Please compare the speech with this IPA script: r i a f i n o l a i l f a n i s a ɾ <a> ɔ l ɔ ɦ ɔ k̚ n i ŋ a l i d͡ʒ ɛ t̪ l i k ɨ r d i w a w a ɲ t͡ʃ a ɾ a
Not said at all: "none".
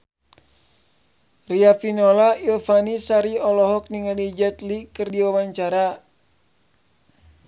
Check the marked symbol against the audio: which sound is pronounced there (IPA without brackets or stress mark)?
i